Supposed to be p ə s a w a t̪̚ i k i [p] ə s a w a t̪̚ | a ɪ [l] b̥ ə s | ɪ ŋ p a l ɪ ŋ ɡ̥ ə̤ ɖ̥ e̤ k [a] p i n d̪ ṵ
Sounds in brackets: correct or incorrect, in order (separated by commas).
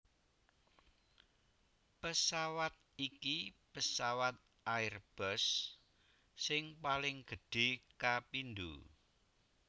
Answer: correct, incorrect, correct